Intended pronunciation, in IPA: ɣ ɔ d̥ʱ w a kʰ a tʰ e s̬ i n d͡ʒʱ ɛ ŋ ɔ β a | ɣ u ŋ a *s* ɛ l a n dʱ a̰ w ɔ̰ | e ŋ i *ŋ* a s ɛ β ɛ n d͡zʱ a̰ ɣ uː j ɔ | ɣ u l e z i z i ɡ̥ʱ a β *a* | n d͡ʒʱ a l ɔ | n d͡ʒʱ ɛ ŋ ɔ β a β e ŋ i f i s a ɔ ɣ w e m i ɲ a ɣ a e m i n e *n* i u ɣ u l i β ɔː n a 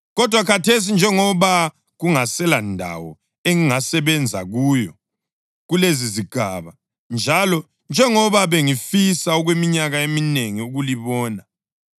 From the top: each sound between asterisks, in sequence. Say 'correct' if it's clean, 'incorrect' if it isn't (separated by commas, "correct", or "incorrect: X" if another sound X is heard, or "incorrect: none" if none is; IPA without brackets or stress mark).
correct, correct, correct, incorrect: ŋ